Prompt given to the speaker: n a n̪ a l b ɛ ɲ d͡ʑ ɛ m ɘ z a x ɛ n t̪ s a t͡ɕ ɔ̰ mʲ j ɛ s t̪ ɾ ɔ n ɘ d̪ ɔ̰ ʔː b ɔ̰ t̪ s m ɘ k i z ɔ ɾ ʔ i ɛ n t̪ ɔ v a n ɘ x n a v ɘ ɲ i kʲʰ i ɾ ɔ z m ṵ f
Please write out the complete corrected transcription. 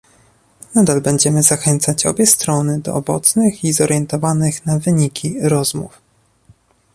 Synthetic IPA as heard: n a d̪ a l b ɛ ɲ d͡ʑ ɛ m ɘ z a x ɛ n t̪ s a t͡ɕ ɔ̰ bʲ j ɛ s t̪ ɾ ɔ n ɘ d̪ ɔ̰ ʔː b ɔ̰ t̪ s n ɘ x i z ɔ ɾ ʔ j ɛ n t̪ ɔ v a n ɘ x n a v ɘ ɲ i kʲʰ i ɾ ɔ z m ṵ f